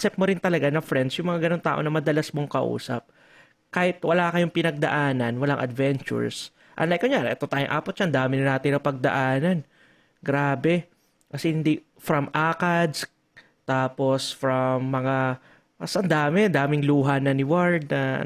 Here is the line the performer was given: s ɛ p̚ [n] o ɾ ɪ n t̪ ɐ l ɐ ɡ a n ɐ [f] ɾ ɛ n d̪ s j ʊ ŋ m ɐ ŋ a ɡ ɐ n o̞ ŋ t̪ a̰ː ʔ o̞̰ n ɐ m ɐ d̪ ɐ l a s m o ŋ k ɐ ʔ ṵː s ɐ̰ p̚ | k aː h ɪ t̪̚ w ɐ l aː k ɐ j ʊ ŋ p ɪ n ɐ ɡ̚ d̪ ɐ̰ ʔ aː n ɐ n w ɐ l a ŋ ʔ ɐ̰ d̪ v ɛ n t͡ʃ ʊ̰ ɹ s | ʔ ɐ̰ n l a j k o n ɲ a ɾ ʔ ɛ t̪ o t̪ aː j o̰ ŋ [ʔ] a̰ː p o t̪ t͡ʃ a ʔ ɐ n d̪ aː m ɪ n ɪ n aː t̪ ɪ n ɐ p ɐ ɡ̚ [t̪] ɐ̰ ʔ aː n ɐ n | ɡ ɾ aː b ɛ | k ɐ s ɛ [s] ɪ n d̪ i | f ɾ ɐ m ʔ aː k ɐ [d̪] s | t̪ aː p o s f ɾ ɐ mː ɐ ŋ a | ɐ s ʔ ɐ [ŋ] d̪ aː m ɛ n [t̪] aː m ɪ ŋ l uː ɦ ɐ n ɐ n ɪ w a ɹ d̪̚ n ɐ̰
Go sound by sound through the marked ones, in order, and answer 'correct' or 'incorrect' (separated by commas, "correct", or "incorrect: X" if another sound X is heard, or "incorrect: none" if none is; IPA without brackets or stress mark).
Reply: incorrect: m, correct, correct, incorrect: d̪, incorrect: h, correct, incorrect: n, incorrect: d̪